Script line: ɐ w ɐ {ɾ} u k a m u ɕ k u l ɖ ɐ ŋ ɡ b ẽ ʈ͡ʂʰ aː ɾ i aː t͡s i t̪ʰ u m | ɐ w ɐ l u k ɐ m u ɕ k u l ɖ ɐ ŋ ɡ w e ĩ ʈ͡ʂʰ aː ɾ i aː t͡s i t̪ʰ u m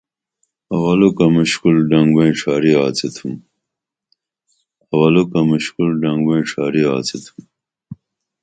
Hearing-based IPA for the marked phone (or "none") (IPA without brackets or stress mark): l